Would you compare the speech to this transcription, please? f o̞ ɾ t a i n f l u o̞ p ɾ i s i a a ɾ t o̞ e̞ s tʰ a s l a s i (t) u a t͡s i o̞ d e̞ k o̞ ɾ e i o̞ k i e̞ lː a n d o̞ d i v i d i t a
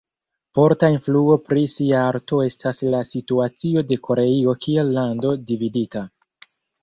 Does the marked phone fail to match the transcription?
no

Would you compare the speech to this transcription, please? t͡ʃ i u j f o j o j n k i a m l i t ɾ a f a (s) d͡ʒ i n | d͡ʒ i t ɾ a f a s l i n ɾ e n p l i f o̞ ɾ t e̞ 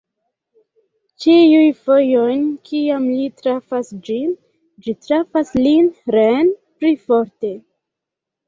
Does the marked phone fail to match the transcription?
no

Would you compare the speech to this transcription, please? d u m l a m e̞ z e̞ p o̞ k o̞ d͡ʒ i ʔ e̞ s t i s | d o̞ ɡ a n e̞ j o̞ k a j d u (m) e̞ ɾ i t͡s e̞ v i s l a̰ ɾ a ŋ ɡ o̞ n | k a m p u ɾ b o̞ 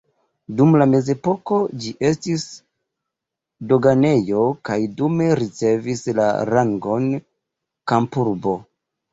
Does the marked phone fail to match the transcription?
no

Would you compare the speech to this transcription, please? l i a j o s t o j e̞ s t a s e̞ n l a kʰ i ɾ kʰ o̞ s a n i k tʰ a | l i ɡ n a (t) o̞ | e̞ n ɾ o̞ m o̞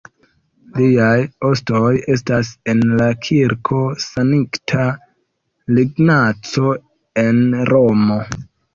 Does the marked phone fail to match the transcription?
yes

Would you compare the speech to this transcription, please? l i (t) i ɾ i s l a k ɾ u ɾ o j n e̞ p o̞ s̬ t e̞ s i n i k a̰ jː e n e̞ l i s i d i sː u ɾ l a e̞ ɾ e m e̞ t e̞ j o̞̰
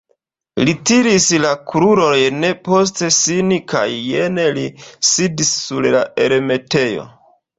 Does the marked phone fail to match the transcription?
no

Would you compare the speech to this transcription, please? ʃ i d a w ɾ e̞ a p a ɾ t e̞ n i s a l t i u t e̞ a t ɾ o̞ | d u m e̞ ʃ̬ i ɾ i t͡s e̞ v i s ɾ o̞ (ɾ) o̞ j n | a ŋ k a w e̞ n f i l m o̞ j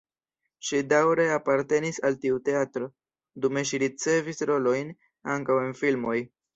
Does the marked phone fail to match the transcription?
yes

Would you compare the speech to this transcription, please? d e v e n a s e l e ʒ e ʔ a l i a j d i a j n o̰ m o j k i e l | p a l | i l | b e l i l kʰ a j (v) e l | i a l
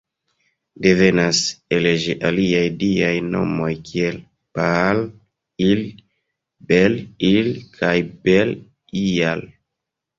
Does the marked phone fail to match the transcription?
yes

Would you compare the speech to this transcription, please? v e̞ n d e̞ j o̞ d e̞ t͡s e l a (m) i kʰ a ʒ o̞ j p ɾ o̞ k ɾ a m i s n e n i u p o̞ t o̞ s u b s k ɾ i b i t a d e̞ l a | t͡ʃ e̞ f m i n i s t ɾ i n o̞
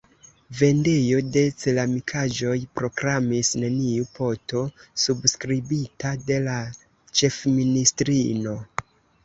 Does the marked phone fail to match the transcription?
no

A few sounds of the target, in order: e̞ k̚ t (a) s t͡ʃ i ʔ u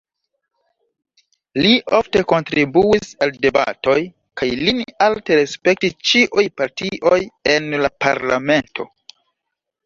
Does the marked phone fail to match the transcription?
yes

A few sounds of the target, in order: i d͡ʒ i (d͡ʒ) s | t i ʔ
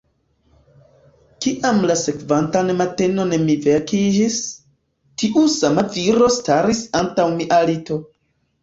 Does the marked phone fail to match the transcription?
yes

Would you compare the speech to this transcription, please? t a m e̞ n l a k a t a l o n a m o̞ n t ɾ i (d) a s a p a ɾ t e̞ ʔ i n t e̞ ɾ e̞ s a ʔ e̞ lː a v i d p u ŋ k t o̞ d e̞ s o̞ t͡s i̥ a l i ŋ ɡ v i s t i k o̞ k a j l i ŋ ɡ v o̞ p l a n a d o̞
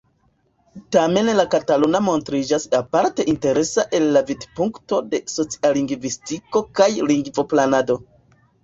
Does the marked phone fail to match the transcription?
yes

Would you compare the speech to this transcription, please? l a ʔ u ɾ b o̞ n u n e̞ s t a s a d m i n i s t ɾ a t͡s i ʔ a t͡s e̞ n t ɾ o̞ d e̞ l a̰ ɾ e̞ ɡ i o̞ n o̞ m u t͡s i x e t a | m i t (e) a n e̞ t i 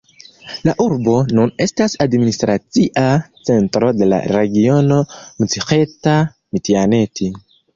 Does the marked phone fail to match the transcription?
yes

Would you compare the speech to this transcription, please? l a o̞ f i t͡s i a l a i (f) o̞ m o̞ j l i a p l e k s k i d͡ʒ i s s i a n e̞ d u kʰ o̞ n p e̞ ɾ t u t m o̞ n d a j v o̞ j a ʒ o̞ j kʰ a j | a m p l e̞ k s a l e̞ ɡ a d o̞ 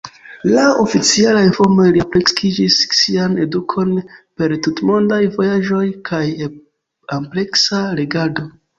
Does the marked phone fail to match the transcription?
no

